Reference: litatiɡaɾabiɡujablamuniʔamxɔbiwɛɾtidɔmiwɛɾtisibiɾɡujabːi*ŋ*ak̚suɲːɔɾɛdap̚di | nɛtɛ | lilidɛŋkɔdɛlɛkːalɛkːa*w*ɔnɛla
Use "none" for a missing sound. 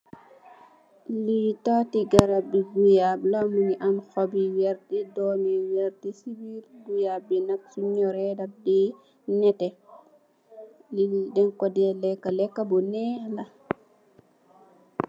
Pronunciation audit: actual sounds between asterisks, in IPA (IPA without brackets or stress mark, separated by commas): n, b